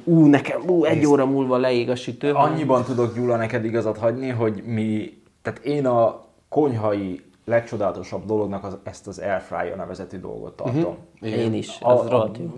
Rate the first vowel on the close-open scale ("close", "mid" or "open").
close